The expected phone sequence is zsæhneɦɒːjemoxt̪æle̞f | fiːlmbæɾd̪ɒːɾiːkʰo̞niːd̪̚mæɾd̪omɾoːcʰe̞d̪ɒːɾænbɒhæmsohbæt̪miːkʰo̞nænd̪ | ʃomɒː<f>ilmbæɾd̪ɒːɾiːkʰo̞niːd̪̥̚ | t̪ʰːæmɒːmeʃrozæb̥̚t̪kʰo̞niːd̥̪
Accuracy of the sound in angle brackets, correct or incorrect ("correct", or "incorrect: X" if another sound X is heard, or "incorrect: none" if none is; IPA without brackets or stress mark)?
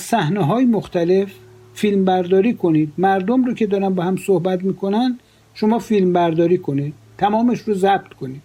correct